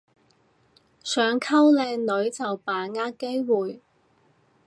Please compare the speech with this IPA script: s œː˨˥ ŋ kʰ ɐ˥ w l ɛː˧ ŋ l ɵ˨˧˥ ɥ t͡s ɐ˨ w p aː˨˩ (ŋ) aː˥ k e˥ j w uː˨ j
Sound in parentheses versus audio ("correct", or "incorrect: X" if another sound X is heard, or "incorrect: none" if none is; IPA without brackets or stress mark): correct